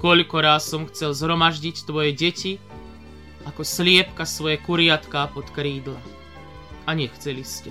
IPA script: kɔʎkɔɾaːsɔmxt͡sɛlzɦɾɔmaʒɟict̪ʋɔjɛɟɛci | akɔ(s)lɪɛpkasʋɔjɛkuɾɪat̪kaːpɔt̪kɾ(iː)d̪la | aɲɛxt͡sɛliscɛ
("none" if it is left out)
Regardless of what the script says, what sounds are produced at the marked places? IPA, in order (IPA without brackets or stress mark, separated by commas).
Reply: s, iː